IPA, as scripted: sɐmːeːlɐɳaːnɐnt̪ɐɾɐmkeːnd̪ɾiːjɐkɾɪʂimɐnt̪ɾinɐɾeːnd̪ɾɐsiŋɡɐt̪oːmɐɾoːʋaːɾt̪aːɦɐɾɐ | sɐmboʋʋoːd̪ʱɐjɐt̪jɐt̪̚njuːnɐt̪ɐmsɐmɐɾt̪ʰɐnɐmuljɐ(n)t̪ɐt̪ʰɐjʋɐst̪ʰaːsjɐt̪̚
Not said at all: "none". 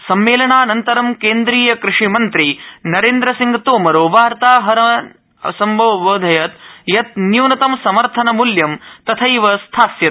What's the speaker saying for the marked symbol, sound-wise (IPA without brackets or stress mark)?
m